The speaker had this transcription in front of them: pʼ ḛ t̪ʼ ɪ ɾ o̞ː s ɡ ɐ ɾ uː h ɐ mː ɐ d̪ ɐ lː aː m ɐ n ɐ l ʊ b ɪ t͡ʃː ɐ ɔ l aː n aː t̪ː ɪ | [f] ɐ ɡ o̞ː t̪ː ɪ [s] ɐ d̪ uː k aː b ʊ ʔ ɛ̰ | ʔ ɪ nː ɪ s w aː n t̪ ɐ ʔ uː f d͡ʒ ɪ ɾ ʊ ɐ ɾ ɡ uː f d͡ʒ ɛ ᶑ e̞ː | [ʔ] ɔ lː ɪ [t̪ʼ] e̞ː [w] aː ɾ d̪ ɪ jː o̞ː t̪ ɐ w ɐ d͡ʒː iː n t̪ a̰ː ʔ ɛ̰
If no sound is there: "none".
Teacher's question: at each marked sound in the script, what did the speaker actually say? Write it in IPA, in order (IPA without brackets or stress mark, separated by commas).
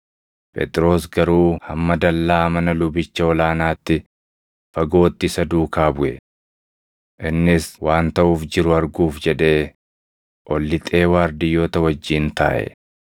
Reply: f, s, ʔ, t̪ʼ, w